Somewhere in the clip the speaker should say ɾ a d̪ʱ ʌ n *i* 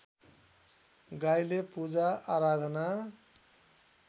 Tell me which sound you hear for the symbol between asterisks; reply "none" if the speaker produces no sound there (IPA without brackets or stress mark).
a